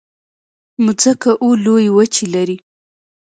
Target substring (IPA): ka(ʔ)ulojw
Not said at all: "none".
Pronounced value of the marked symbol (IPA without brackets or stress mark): ʔ